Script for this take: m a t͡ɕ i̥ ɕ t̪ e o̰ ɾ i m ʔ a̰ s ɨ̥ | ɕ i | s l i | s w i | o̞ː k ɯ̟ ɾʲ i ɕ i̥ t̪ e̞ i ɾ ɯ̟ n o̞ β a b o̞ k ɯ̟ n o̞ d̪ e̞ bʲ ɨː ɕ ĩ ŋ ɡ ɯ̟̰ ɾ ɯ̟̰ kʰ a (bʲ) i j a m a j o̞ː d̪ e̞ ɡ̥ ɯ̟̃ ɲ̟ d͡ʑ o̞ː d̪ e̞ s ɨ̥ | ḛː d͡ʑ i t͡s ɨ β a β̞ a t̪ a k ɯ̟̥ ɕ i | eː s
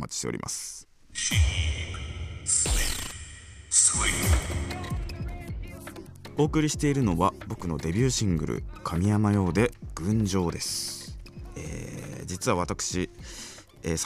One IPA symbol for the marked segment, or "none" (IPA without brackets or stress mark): mʲ